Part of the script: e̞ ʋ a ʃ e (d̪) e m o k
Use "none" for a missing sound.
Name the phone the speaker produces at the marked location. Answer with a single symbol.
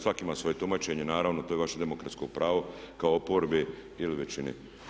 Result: d̪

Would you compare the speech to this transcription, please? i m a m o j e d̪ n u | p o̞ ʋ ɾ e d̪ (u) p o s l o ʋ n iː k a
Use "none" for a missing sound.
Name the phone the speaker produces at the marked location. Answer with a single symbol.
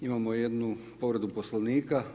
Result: u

